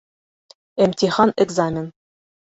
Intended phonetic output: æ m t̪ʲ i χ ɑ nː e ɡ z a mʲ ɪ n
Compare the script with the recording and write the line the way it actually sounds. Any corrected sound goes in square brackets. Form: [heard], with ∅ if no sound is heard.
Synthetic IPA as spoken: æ m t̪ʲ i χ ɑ [n] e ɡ z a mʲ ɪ n